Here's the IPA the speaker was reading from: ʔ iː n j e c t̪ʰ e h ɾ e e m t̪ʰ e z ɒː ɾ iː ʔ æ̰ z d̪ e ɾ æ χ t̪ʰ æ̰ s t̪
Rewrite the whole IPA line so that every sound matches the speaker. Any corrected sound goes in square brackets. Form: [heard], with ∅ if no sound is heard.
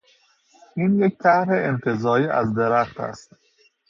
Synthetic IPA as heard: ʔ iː n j e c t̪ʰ [æ] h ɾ e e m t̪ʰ e z ɒː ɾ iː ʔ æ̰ z d̪ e ɾ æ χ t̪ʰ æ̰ s t̪